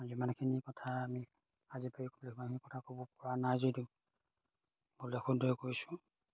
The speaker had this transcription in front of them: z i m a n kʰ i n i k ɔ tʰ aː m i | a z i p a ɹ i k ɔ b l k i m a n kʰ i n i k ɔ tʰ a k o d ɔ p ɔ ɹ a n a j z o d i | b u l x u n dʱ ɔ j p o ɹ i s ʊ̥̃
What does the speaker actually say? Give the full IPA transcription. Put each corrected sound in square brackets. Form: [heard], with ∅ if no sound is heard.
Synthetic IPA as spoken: z i m a n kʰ i n i k ɔ tʰ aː m i | a z i p a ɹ i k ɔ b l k i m a n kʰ i n i k ɔ tʰ a k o [b] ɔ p ɔ ɹ a n a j z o d i | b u l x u n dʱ ɔ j [k] o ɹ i s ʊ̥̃